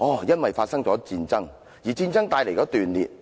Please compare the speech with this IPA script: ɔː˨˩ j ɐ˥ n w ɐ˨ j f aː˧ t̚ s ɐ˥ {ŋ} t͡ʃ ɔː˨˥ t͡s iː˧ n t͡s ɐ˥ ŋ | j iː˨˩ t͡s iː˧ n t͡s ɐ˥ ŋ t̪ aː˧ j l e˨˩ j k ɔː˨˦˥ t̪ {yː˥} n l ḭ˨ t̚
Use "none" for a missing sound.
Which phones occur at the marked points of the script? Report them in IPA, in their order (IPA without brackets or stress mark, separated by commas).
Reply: ŋ, yː˨˩